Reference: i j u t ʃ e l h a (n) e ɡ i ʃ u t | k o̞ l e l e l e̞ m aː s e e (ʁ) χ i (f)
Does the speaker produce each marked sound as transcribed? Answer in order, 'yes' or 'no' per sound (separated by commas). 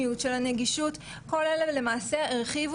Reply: yes, yes, no